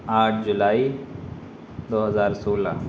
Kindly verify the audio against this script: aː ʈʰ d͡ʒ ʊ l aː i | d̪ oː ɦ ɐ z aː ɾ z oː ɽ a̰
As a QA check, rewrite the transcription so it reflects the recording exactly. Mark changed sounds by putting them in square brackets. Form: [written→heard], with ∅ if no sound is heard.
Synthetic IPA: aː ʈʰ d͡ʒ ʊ l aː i | d̪ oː ɦ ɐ z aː ɾ [z→s] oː [ɽ→l] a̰